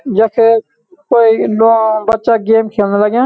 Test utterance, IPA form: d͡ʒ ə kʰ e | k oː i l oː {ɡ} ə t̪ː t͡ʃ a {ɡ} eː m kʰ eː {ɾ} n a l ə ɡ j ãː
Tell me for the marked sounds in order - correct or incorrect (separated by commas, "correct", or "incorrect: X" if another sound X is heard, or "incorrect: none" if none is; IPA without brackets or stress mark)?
incorrect: b, correct, incorrect: l